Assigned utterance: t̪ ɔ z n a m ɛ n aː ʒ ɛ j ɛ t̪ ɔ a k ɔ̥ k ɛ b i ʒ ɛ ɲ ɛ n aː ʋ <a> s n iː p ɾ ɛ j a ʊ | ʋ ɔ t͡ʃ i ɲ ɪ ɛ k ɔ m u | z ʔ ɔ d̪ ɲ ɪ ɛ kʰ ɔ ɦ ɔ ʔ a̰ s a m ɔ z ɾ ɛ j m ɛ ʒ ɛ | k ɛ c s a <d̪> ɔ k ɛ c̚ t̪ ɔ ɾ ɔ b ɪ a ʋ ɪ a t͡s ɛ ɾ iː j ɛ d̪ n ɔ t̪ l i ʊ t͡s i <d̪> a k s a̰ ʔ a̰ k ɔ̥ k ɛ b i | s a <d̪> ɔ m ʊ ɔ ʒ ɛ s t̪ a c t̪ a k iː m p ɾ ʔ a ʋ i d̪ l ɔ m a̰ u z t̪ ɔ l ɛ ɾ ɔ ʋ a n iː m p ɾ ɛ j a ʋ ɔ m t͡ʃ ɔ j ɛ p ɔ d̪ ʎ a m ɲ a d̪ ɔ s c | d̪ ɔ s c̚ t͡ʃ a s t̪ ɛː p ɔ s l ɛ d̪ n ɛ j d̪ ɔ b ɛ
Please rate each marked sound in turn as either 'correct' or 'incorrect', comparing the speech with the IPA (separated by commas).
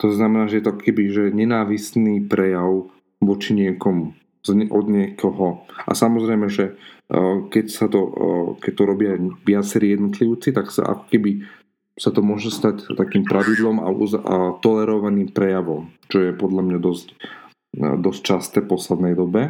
incorrect, incorrect, incorrect, incorrect